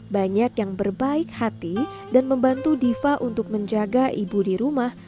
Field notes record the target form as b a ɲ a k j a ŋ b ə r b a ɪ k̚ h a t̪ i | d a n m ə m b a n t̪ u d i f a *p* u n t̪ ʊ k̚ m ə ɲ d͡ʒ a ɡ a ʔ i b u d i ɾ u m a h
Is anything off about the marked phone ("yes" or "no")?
yes